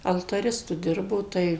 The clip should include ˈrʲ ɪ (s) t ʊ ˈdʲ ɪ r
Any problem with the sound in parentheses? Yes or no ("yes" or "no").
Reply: no